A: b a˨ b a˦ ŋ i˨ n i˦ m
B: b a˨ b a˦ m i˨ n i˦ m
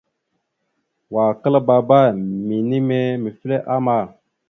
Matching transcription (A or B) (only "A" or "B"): B